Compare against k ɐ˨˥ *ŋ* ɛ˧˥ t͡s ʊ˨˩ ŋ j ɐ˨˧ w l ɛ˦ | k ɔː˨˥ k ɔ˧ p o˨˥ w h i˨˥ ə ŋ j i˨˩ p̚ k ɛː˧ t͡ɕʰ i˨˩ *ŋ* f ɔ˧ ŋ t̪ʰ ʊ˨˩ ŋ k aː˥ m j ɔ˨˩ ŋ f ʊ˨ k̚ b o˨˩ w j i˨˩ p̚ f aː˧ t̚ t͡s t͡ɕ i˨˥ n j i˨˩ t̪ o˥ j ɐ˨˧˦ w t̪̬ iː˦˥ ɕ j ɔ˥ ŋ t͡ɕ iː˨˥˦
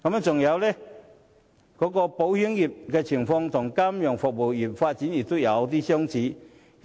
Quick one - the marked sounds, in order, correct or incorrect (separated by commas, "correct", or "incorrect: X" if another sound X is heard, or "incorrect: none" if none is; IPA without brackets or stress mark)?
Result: incorrect: m, correct